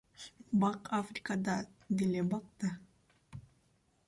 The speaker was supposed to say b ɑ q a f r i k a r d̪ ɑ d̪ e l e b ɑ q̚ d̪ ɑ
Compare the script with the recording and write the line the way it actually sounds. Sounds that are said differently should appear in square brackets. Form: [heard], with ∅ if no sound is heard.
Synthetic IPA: b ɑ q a f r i k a [∅] d̪ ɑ d̪ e l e b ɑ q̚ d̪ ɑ